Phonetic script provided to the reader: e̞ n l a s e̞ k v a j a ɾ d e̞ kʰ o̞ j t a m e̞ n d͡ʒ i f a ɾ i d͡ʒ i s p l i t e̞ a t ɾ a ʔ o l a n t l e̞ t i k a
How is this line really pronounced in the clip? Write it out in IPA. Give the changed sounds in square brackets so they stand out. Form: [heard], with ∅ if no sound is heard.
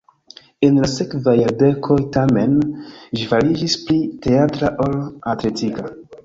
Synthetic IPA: e̞ n l a s e̞ k v a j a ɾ d e̞ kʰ o̞ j t a m e̞ n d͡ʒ i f a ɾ i d͡ʒ i s p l i t e̞ a t ɾ a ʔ o l a [∅] t l e̞ t i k a